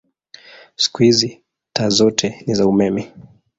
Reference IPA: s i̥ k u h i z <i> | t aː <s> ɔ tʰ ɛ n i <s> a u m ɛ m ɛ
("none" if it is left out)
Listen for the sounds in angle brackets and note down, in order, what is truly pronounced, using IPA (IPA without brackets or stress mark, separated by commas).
i, z, z